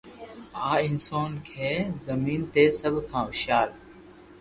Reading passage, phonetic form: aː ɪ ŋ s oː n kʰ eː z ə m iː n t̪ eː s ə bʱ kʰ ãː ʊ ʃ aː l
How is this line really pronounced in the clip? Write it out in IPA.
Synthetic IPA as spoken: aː ɪ n s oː n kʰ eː z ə m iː n t̪ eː s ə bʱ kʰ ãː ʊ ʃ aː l